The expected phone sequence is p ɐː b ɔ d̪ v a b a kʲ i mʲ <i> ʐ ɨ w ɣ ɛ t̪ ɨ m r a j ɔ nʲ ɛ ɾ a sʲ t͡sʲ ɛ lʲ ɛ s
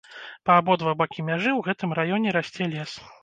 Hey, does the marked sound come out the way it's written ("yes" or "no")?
no